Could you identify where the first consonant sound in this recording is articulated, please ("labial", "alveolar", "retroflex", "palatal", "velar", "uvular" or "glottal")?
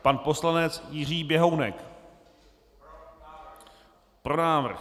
labial